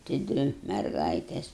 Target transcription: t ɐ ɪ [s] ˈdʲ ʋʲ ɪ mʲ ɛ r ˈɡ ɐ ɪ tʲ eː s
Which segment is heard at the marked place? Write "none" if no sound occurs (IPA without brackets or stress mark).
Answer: none